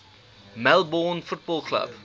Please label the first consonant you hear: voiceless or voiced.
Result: voiced